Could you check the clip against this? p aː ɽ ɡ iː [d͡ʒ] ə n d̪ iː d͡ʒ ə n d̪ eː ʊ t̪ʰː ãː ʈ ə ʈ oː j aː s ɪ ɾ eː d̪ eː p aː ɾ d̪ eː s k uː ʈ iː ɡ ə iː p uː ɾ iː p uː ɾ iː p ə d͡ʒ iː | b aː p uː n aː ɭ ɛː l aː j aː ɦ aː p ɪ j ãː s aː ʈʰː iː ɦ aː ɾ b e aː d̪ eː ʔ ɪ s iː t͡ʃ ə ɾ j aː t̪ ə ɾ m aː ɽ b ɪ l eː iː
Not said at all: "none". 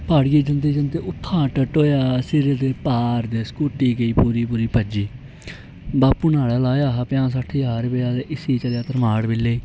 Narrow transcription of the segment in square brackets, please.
d͡ʒ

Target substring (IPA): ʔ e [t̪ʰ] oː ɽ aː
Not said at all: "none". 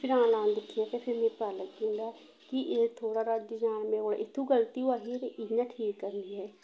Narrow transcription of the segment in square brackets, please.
t̪ʰ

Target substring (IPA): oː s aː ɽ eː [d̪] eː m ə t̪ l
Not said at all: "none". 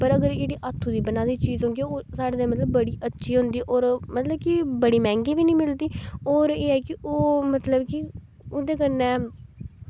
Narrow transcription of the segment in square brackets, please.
d̪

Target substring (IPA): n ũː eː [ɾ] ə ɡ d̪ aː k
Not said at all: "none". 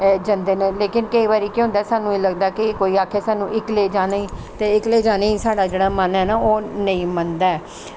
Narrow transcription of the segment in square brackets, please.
l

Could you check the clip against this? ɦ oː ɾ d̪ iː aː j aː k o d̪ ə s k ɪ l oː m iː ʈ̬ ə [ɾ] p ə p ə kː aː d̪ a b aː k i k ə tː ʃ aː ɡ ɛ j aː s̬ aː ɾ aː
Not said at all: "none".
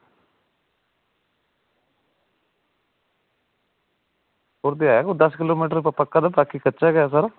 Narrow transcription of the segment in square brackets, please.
ɾ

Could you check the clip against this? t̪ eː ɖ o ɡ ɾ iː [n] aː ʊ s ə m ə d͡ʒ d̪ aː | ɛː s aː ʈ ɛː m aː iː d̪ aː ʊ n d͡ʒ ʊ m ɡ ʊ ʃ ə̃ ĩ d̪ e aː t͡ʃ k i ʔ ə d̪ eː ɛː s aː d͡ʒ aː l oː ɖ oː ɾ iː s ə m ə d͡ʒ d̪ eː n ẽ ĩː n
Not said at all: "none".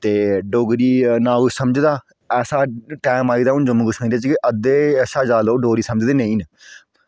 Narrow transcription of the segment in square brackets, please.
n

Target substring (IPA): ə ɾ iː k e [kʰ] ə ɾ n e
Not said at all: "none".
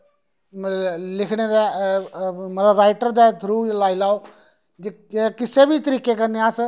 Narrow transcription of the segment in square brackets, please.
k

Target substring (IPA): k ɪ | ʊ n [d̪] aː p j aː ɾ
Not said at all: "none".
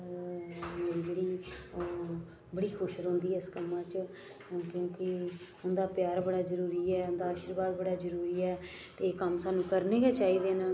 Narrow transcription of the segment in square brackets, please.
d̪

